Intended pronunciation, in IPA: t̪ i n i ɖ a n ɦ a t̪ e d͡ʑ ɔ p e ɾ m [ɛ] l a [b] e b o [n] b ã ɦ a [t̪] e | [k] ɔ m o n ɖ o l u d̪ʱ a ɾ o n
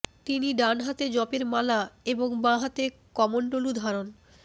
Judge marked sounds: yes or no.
no, no, no, yes, yes

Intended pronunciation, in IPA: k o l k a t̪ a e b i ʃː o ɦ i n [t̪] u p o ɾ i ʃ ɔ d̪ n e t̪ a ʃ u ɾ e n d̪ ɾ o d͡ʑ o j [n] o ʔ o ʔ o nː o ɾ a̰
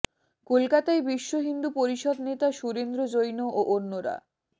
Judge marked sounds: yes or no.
no, yes

